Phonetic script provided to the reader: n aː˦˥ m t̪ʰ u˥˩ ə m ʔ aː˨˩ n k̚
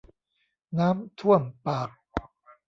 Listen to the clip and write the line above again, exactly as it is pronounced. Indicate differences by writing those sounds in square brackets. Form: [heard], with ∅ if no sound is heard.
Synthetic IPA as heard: n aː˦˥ m t̪ʰ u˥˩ ə m [p] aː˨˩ [∅] k̚